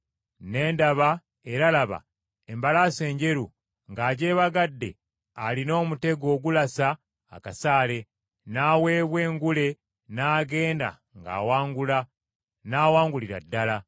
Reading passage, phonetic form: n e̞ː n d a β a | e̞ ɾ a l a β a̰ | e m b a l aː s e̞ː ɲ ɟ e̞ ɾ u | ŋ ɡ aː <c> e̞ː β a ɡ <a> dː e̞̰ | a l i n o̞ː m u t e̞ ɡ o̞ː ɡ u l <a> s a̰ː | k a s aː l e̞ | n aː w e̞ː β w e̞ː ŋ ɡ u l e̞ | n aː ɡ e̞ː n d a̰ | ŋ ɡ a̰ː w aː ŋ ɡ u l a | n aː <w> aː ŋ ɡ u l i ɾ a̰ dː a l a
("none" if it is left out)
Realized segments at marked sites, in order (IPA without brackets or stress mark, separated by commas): ɟ, a, a, w